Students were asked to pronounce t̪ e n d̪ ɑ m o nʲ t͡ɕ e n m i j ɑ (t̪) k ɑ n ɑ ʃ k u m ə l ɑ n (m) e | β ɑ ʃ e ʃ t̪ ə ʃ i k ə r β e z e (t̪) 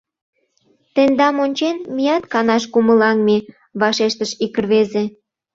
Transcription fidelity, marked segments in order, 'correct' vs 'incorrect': correct, correct, incorrect: none

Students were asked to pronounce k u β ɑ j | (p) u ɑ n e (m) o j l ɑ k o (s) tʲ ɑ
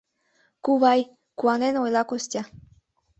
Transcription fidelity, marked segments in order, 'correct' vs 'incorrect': incorrect: k, incorrect: n, correct

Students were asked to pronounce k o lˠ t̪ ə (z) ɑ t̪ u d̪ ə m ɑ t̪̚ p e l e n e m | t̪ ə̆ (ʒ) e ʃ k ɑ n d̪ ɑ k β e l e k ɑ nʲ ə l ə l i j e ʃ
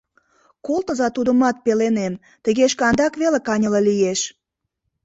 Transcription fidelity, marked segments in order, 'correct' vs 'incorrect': correct, incorrect: ɣ

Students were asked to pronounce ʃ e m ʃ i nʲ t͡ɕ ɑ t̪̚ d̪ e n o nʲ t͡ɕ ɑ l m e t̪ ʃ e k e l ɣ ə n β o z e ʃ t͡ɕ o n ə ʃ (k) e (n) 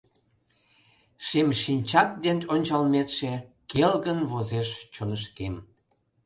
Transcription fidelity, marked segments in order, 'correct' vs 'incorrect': correct, incorrect: m

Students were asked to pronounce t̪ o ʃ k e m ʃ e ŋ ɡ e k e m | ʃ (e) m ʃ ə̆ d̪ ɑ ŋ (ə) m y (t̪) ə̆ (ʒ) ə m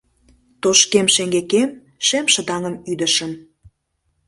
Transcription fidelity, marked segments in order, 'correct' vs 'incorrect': correct, correct, incorrect: d̪, incorrect: ʃ

